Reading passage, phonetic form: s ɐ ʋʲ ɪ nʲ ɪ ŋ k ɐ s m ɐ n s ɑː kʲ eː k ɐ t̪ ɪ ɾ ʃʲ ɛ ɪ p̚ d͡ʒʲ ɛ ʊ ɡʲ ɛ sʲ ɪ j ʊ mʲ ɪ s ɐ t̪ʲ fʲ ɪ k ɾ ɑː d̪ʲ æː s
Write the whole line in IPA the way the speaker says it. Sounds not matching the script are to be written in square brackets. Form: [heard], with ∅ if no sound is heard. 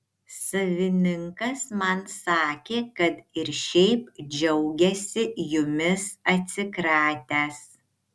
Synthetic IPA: s ɐ ʋʲ ɪ nʲ ɪ ŋ k ɐ s m ɐ n s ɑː kʲ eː k ɐ t̪ ɪ ɾ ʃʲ ɛ ɪ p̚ d͡ʒʲ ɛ ʊ ɡʲ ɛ sʲ ɪ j ʊ mʲ ɪ s ɐ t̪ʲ [sʲ] ɪ k ɾ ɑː [t̪ʲ] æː s